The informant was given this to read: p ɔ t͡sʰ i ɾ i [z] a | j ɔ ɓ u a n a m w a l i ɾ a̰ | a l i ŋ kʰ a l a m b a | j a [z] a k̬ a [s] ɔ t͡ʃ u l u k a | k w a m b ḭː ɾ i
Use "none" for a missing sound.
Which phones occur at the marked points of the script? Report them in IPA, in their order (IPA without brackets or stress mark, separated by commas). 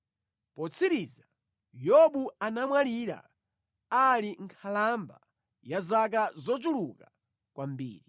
z, z, z